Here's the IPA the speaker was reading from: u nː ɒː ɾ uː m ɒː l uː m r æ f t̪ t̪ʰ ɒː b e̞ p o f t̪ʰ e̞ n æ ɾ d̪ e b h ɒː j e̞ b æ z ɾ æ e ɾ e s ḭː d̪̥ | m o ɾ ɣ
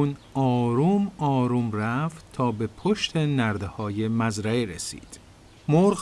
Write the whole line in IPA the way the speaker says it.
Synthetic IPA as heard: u n ɒː ɾ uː m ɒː ɾ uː m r æ f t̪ t̪ʰ ɒː b e̞ pʰ o ʃ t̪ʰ e̞ n æ ɾ d̪ e h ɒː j e̞ m æ z ɾ æ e ɾ e s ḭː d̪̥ | m o ɾ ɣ